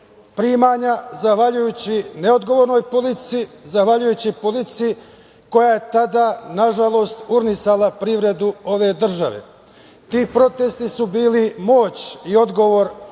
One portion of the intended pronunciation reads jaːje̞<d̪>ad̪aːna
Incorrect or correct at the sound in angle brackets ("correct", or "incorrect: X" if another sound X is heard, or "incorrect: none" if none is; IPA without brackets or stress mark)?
incorrect: t̪